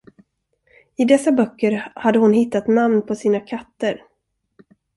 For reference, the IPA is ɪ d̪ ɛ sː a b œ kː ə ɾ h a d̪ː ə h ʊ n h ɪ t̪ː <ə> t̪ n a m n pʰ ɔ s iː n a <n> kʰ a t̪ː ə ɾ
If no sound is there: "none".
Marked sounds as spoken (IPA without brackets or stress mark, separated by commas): a, none